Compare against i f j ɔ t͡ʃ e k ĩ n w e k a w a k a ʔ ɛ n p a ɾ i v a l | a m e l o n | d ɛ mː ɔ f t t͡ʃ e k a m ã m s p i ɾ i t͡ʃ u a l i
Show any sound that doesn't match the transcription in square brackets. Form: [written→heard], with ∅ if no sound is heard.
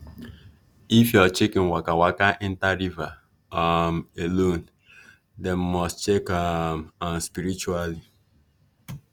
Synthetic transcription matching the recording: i f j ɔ t͡ʃ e k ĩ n w [e→a] k a w a k a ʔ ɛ n [p→t] a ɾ i v a [l→∅] | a m e l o n | d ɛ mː ɔ [f→s] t t͡ʃ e k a m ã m s p i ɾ i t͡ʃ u a l i